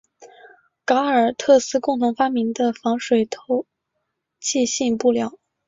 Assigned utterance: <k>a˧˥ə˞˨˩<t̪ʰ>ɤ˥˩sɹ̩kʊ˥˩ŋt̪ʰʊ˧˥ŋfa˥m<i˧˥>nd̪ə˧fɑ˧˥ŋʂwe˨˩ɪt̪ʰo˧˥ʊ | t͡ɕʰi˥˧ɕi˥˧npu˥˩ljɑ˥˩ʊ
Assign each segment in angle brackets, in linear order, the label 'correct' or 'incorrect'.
correct, correct, correct

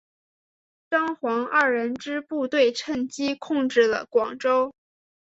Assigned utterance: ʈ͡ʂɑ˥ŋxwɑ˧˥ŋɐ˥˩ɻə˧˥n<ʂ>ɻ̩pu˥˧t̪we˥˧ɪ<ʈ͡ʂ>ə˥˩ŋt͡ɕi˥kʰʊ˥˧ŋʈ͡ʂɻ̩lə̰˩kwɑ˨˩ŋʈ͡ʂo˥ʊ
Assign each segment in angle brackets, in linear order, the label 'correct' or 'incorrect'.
incorrect: ʈ͡ʂ, incorrect: ʈ͡ʂʰ

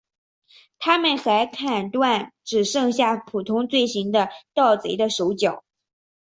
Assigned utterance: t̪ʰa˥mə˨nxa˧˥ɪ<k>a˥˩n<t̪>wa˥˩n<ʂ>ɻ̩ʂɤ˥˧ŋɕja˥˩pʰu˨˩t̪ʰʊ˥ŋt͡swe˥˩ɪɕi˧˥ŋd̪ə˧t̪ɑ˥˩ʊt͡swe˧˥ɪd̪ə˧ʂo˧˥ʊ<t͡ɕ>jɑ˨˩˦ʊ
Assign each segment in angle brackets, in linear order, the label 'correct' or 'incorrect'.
incorrect: kʰ, correct, incorrect: ʈ͡ʂ, correct

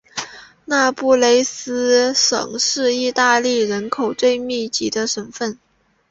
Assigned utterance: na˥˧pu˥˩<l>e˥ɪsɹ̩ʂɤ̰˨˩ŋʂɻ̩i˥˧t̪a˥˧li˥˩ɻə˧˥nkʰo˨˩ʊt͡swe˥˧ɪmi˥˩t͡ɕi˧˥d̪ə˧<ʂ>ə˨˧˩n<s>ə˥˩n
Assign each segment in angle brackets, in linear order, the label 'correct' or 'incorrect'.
correct, correct, incorrect: f

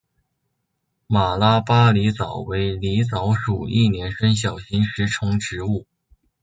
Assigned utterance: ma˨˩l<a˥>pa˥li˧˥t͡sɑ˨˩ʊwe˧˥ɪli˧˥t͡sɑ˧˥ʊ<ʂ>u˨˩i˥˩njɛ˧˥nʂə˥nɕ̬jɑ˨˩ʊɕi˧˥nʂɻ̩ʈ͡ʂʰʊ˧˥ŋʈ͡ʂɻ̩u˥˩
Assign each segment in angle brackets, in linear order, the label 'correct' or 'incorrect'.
correct, correct

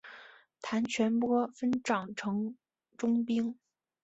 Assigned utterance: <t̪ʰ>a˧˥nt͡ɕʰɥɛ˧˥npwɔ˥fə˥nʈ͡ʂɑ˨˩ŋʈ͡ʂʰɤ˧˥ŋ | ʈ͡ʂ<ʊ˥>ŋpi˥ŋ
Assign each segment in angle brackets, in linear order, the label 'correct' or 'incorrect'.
correct, correct

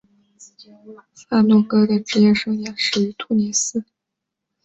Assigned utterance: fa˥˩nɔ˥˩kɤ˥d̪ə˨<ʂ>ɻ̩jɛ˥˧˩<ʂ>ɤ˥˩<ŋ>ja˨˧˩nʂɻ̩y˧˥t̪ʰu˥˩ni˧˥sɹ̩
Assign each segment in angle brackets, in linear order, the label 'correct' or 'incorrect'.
incorrect: ʈ͡ʂ, correct, correct

